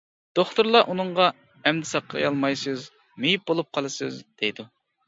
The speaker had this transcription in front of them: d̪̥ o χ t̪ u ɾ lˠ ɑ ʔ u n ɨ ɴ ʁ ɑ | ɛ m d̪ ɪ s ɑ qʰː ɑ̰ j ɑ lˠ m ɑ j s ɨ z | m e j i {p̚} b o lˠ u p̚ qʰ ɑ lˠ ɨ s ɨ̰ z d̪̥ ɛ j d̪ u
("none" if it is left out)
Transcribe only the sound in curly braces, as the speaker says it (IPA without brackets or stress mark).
p̚